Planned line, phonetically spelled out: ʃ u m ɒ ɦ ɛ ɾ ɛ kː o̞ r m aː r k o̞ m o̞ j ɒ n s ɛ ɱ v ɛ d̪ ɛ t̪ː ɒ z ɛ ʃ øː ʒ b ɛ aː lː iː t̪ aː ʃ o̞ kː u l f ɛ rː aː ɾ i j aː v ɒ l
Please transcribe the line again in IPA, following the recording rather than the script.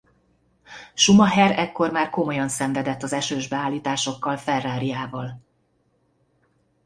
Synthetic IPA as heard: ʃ u m ɒ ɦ ɛ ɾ ɛ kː o̞ r m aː r k o̞ m o̞ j ɒ n s ɛ ɱ v ɛ d̪ ɛ t̪ː ɒ z ɛ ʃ øː ʒ b ɛ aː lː iː t̪ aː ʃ o̞ kː ɒ l f ɛ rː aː ɾ i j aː v ɒ l